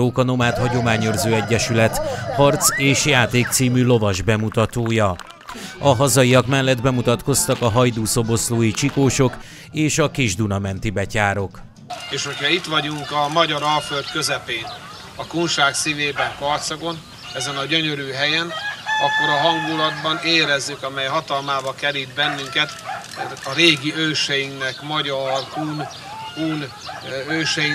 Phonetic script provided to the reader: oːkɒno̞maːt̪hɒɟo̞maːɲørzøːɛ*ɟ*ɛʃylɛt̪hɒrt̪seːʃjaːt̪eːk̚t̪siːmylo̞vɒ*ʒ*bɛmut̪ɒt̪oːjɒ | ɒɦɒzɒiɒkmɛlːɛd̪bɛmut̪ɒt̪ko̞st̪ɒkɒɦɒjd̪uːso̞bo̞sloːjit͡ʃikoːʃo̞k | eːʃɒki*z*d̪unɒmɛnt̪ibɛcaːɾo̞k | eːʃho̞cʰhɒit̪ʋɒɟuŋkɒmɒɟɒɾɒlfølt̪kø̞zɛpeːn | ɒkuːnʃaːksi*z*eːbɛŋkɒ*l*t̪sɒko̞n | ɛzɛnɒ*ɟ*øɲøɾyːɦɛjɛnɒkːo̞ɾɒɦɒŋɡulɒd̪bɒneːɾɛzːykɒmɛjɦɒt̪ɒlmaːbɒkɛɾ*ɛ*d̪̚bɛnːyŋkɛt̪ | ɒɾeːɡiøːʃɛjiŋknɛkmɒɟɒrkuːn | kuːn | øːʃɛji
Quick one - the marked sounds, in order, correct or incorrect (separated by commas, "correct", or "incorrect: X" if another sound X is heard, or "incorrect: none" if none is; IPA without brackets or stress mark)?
incorrect: ɟː, correct, incorrect: ʒ, incorrect: v, incorrect: r, correct, incorrect: i